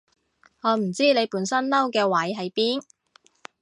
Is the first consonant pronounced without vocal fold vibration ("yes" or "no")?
no